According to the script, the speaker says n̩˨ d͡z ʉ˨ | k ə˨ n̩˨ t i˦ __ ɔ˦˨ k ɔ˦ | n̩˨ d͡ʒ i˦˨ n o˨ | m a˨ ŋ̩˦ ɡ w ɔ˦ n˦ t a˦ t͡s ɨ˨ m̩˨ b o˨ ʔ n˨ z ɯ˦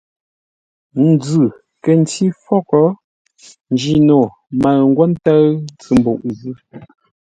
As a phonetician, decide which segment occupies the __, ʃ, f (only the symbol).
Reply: f